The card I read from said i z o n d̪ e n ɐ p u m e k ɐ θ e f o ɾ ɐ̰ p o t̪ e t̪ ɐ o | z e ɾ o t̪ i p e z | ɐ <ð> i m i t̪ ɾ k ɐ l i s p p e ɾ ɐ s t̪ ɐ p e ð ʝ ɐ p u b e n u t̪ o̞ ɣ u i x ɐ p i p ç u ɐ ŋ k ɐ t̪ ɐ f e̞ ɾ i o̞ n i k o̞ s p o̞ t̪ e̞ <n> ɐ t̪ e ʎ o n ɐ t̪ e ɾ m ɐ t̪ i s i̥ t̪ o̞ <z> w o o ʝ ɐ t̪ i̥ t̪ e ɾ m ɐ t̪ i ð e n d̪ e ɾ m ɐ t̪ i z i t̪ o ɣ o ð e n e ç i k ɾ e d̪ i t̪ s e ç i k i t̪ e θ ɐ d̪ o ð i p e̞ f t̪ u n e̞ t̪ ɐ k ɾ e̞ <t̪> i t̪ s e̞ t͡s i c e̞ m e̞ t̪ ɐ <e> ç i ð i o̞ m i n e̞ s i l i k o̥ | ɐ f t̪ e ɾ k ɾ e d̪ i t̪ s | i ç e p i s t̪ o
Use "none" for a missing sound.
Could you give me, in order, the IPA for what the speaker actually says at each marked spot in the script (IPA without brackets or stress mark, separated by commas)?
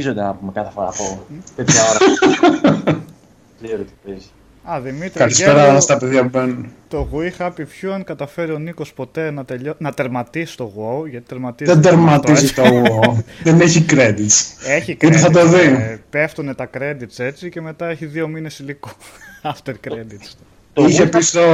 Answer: ð, n, ɣ, d̪, e